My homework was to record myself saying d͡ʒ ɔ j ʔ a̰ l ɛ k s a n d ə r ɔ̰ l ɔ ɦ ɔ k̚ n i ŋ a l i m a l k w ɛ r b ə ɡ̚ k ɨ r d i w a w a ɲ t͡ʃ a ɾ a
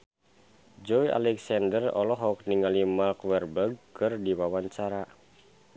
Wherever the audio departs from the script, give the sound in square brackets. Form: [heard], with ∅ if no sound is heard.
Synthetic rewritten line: d͡ʒ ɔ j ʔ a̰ l ɛ k s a n d ə r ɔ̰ l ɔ ɦ ɔ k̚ n i ŋ a l i m a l k w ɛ r b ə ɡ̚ k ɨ r d i w a w a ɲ t͡ʃ a ɾ a